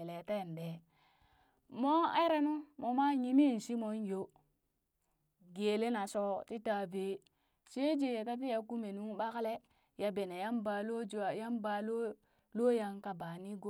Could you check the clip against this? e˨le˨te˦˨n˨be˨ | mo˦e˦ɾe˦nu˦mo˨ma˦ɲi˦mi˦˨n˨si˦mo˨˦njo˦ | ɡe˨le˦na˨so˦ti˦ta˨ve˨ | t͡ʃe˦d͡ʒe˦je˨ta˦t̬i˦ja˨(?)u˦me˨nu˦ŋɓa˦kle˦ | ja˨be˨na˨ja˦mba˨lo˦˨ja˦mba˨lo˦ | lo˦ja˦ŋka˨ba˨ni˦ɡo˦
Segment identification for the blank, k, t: k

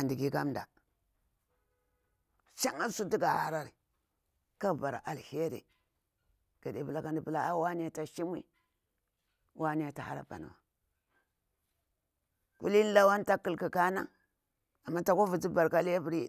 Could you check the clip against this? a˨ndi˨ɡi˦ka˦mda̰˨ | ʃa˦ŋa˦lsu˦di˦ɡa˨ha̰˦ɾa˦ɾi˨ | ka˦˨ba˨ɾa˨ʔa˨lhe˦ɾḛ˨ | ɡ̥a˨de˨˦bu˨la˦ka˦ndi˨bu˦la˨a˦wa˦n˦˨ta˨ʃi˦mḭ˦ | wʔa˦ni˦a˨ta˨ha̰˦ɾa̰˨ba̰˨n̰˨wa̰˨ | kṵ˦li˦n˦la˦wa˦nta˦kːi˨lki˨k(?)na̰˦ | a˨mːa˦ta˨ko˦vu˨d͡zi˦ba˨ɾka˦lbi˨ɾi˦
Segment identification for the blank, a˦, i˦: a˦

